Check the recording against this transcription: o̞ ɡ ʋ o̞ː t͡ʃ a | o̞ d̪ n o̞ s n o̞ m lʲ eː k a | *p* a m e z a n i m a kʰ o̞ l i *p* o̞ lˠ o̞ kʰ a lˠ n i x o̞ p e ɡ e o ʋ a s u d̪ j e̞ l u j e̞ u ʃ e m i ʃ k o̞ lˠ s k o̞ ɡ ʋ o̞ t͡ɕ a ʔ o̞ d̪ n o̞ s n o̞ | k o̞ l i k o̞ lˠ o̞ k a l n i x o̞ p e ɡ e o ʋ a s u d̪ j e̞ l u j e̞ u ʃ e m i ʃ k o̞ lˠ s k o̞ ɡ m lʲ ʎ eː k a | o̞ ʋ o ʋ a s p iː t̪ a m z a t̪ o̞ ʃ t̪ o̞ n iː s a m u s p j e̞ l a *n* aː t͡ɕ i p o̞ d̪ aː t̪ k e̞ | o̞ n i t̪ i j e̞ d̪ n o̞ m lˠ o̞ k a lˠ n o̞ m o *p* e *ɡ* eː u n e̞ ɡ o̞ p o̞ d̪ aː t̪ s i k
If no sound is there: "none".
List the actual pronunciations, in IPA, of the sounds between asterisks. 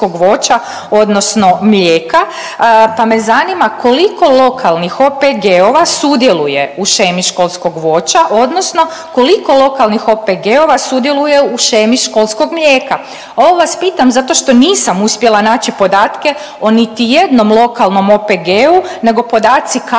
p, k, n, p, ɡ

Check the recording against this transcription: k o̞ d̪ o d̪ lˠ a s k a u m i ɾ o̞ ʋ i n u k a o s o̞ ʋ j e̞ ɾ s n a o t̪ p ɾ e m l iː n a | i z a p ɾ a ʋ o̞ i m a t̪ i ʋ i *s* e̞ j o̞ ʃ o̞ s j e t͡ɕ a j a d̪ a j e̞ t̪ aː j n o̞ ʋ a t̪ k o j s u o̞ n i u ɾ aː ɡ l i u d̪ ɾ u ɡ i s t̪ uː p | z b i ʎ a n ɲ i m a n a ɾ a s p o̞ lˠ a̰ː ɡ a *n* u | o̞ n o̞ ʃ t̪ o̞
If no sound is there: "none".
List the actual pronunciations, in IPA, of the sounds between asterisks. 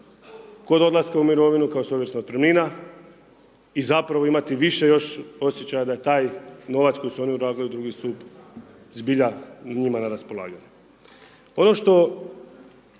ʃ, ɲ

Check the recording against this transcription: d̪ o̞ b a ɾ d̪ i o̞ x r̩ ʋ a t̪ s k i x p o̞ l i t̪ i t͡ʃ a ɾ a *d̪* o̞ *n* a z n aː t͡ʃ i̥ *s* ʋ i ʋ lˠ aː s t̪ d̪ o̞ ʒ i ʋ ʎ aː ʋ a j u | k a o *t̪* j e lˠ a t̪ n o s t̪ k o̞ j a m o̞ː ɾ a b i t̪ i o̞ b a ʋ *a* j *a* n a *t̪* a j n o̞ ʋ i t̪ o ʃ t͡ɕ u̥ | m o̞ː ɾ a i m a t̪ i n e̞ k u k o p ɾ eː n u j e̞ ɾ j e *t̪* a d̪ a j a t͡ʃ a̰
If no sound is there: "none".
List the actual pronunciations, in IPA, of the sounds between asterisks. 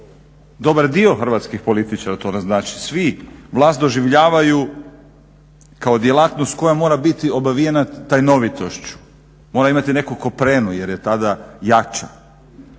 t̪, n, s, d̪, i, e, t̪, t̪

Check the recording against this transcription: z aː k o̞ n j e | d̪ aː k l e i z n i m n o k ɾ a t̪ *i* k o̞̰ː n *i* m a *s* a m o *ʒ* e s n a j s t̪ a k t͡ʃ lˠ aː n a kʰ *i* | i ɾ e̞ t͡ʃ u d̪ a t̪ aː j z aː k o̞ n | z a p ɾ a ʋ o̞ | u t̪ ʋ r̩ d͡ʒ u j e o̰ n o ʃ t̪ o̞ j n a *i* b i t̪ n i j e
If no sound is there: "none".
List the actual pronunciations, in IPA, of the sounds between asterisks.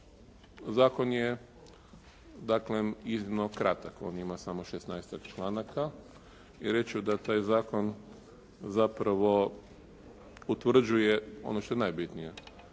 a, i, s, ʃ, a, j

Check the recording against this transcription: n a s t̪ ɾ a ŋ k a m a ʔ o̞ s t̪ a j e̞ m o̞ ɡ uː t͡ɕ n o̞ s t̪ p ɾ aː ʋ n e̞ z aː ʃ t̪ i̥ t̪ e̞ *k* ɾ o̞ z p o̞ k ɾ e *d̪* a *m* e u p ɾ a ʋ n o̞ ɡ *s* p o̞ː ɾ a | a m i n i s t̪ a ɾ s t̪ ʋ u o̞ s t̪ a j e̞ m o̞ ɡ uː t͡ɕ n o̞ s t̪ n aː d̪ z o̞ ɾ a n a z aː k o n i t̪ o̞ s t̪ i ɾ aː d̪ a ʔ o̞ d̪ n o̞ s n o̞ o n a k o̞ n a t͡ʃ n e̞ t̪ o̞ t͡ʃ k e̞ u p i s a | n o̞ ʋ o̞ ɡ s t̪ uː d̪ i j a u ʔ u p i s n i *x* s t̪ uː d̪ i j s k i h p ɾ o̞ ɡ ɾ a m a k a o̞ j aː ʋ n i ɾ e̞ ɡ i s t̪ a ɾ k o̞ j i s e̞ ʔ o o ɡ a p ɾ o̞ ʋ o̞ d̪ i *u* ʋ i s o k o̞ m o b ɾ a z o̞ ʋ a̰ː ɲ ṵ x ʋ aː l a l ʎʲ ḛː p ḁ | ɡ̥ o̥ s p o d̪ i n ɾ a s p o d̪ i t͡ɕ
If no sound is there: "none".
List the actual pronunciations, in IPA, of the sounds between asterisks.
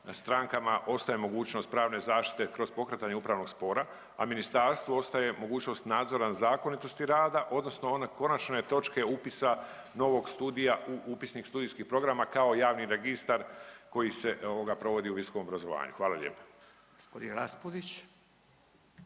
k, t̪, ɲ, s, k, u

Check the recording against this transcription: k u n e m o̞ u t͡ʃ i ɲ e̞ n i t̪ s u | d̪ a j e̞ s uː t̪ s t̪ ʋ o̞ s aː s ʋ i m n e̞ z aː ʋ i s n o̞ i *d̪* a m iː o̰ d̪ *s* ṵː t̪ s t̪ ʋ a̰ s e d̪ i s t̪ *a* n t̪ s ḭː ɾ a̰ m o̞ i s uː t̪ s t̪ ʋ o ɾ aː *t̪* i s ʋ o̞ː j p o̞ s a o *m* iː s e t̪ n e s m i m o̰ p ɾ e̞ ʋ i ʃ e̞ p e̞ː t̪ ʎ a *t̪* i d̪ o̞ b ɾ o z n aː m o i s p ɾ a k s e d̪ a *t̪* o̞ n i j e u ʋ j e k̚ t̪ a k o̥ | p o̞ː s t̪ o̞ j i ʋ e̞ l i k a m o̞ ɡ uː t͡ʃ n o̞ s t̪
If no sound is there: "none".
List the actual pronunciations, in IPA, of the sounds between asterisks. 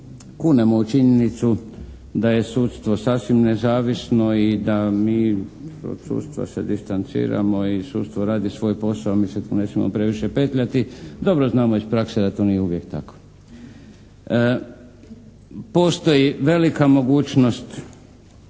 d̪, s, a, d̪, m, t̪, t̪

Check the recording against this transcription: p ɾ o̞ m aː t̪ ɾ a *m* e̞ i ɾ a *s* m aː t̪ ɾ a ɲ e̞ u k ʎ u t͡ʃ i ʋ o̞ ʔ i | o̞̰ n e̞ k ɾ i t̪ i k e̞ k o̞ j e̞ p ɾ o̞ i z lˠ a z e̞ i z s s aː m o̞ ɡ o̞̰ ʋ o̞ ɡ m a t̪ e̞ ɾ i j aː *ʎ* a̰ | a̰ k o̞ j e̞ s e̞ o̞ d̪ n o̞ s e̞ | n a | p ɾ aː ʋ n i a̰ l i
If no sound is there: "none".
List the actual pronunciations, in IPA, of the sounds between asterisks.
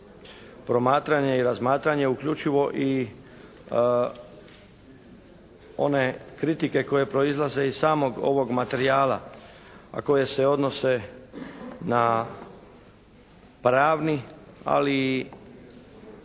ɲ, z, l

